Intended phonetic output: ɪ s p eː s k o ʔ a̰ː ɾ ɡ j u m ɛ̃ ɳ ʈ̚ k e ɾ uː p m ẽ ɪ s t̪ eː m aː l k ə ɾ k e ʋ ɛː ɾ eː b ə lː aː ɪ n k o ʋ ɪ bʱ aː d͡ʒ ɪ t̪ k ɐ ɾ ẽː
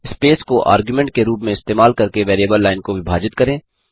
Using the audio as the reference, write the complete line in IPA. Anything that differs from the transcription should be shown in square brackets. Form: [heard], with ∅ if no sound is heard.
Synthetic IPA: ɪ s p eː s k o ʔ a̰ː ɾ ɡ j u m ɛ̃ ɳ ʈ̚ k e ɾ uː p m ẽ ɪ s t̪ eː m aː l k [ɐ] ɾ k e ʋ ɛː ɾ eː b ə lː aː ɪ n k o ʋ ɪ bʱ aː d͡ʒ ɪ t̪ k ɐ ɾ ẽː